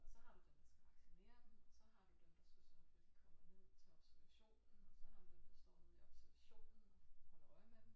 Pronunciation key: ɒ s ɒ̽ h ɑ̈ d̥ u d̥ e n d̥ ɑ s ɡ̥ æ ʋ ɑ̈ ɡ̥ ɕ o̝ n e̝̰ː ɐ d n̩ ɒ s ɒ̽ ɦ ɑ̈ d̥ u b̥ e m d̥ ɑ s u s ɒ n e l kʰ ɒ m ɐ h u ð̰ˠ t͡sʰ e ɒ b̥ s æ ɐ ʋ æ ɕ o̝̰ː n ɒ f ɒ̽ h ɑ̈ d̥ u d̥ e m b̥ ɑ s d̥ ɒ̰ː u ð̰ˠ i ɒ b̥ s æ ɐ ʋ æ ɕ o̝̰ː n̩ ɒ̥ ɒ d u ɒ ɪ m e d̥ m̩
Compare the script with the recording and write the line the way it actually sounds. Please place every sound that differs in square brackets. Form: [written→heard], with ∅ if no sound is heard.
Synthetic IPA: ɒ s ɒ̽ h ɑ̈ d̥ u d̥ e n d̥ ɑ s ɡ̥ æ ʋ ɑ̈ ɡ̥ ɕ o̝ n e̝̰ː ɐ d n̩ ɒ s ɒ̽ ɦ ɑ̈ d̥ u [b̥→d̥] e m d̥ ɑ s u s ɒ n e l kʰ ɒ m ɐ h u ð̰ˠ t͡sʰ e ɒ b̥ s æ ɐ ʋ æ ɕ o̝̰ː n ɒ [f→s] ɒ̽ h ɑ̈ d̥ u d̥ e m [b̥→d̥] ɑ s d̥ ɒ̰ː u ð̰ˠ i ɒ b̥ s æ ɐ ʋ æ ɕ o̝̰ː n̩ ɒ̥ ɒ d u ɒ ɪ m e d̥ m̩

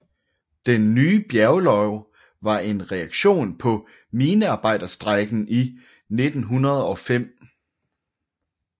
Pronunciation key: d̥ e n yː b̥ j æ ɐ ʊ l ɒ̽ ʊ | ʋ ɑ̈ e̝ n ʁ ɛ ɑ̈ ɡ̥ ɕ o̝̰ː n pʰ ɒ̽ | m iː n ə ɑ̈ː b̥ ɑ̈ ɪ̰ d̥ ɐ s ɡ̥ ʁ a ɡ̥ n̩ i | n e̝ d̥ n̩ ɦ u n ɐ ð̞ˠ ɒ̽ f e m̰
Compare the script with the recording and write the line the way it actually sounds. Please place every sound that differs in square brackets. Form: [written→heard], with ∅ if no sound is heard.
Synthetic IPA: d̥ e [n→nː] yː b̥ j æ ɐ ʊ l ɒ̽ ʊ | ʋ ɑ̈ e̝ n ʁ ɛ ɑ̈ ɡ̥ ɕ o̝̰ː n pʰ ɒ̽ | m iː n ə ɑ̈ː b̥ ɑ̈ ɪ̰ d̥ ɐ s [ɡ̥→d̥] ʁ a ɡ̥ n̩ i | n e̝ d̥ n̩ ɦ u n ɐ ð̞ˠ ɒ̽ f e m̰

